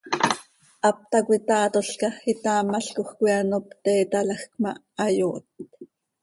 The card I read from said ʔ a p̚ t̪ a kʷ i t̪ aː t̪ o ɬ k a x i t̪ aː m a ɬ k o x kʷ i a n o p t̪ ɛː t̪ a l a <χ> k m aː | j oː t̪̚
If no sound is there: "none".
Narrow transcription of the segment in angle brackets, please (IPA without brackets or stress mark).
x